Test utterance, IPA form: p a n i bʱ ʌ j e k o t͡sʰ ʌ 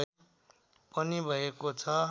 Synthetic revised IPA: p ʌ n i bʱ ʌ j e k o t͡sʰ ʌ